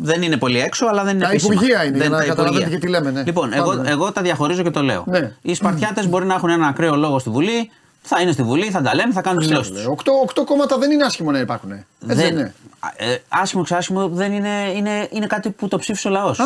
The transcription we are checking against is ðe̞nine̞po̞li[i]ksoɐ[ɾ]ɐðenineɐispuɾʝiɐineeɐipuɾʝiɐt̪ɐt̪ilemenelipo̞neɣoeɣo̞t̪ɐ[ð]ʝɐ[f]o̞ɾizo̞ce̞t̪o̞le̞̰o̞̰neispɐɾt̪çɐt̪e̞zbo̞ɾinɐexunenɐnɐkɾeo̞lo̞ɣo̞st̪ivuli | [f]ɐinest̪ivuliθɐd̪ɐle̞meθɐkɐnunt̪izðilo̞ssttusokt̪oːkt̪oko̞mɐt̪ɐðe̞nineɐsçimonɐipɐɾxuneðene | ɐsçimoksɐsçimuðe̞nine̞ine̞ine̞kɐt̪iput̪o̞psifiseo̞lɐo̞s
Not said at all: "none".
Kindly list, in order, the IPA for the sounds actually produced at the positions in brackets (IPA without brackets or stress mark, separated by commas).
e, l, ð, x, θ